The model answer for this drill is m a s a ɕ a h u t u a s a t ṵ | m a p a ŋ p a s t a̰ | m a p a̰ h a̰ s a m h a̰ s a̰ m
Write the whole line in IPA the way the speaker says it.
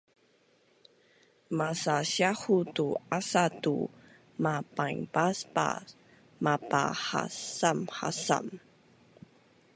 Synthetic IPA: m a s a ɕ a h u t u a s a t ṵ | m a p a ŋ p a s p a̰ | m a p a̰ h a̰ s a m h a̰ s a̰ m